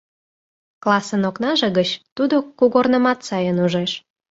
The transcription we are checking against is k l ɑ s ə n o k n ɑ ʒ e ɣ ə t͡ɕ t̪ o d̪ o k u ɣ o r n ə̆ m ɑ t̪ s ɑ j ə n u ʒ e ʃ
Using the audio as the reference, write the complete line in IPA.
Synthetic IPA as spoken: k l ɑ s ə n o k n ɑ ʒ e ɣ ə t͡ɕ t̪ u d̪ o k u ɣ o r n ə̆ m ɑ t̪ s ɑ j ə n u ʒ e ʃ

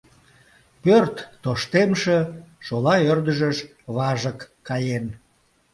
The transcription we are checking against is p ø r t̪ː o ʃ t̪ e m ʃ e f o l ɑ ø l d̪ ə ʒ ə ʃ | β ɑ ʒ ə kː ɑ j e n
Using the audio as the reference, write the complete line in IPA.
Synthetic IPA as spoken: p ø r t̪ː o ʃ t̪ e m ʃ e ʃ o l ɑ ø r d̪ ə ʒ ə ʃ | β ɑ ʒ ə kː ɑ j e n

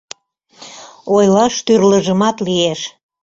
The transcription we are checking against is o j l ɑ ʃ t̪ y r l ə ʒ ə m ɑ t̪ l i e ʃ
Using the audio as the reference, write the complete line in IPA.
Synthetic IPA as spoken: o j l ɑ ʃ t̪ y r l ə ʒ ə m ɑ t̪ l i e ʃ

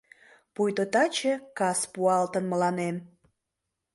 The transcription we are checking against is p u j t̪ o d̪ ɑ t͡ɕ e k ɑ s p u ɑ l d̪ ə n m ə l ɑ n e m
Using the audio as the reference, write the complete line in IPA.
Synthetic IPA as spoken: p u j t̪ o t̪ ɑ t͡ɕ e k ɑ s p u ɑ l t̪ ə n m ə l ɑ n e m

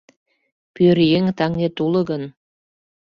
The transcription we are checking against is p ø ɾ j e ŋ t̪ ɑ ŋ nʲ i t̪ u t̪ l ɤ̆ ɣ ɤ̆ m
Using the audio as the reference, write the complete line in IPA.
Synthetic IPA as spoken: p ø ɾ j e ŋ t̪ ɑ ŋ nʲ e t̪ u l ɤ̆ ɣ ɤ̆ n

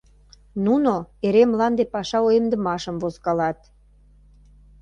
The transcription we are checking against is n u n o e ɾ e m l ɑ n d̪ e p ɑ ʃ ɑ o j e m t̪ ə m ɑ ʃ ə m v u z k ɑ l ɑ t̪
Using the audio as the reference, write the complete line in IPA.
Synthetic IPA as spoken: n u n o e ɾ e m l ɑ n d̪ e p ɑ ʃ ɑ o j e m d̪ ə m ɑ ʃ ə m v o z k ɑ l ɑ t̪

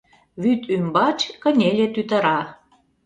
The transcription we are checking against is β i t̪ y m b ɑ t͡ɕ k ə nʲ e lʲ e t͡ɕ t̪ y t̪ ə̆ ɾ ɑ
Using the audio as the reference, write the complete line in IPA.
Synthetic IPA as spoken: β y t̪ y m b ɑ t͡ɕ k ə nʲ e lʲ e t̪ y t̪ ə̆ ɾ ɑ

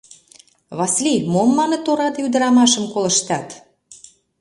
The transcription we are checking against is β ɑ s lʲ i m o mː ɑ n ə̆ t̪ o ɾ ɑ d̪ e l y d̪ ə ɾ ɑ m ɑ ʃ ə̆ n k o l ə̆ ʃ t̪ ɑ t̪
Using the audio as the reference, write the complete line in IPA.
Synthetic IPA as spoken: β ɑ s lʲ i m o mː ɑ n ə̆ t̪ o ɾ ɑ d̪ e y d̪ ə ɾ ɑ m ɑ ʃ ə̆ m k o l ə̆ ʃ t̪ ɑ t̪

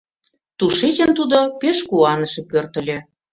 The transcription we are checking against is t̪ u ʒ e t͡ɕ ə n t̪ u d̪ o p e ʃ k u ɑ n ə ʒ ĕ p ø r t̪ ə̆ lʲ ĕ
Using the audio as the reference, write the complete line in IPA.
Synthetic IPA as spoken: t̪ u ʃ e t͡ɕ ə n t̪ u d̪ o p e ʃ k u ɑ n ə ʃ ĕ p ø r t̪ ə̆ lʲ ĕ

